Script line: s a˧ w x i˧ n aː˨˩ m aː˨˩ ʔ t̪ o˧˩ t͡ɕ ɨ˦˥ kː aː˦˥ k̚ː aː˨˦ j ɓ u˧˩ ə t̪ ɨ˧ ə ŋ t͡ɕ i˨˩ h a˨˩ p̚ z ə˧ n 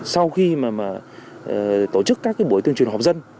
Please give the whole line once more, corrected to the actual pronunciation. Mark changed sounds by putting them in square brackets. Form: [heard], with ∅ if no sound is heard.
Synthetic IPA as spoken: s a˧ w x i˧ [m] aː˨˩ m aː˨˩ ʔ t̪ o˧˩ t͡ɕ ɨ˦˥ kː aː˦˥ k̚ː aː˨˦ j ɓ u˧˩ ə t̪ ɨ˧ ə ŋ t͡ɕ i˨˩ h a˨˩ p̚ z ə˧ n